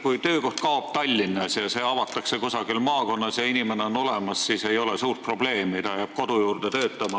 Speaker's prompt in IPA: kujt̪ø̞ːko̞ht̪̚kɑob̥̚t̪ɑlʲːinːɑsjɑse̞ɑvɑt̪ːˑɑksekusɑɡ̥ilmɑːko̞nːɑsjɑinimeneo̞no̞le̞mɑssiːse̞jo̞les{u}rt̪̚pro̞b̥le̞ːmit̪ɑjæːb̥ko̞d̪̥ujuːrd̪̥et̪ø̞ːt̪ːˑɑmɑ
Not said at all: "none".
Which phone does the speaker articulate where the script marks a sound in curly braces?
uː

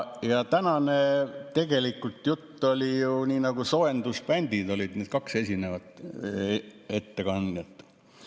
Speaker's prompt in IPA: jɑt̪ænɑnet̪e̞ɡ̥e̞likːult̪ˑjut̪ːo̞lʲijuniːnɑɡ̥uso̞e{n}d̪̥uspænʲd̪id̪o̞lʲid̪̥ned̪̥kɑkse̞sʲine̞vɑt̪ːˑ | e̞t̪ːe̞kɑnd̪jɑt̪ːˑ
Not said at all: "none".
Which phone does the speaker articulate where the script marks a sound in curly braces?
n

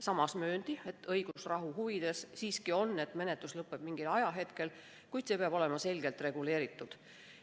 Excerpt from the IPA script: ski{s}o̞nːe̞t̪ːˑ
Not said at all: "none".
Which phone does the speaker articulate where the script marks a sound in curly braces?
none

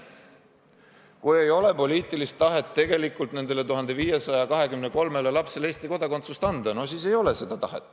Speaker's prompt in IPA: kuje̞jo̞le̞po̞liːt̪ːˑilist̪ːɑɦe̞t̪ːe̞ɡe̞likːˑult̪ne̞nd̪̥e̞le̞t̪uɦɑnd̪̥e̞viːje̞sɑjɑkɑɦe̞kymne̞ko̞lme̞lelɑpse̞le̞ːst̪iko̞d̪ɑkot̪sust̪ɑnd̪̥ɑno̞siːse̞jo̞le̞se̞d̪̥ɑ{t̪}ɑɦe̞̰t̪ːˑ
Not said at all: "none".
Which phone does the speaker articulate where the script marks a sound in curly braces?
t̪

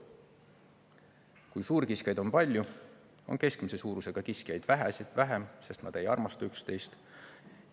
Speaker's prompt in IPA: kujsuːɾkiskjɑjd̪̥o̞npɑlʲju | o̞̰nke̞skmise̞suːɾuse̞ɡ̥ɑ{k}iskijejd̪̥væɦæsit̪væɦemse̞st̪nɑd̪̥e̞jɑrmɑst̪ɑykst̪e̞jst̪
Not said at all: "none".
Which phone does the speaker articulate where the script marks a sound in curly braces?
k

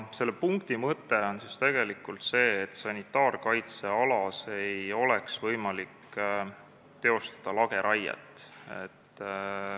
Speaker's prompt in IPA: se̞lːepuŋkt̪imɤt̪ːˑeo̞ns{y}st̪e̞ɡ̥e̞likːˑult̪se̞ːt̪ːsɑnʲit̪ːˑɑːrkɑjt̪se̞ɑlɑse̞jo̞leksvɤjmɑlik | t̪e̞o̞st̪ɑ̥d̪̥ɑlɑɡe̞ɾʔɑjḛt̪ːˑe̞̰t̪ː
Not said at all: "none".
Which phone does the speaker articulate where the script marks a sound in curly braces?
i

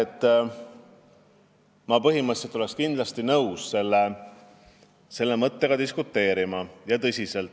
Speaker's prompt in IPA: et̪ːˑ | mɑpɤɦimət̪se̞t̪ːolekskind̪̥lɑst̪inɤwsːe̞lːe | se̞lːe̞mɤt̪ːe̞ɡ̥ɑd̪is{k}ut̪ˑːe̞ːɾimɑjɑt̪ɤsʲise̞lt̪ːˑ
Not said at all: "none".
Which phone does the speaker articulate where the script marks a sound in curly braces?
k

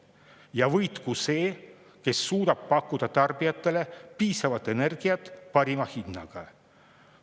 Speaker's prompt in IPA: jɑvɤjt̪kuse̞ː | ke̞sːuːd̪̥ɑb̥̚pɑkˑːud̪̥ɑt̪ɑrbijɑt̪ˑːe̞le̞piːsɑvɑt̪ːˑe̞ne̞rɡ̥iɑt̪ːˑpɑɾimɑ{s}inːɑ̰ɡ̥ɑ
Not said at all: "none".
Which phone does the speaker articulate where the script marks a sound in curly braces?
h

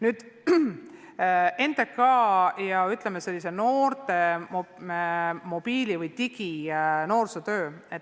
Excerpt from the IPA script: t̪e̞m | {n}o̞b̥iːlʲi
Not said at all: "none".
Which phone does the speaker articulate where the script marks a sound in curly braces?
m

